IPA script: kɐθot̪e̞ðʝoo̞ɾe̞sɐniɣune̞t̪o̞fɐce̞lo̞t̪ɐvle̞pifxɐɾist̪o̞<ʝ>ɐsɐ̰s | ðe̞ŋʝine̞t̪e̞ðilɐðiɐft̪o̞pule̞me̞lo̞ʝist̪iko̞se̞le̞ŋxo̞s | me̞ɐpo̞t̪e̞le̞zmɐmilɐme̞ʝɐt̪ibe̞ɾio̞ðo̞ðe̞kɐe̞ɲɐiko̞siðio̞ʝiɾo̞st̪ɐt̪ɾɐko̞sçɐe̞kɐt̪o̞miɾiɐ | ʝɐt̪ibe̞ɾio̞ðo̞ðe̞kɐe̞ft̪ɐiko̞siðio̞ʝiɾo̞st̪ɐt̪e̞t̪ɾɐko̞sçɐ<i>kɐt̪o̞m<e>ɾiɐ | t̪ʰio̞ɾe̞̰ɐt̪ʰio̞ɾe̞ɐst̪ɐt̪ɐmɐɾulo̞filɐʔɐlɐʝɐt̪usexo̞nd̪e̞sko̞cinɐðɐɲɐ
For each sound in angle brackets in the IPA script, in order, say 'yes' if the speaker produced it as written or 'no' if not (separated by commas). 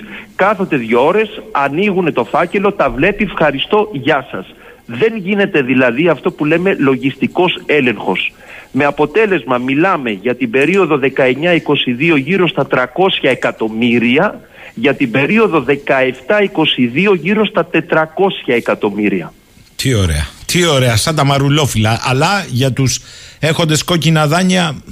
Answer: yes, no, no